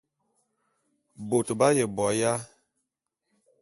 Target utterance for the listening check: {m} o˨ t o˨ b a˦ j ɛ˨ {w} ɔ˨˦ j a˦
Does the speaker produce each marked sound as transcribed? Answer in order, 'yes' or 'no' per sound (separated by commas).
no, no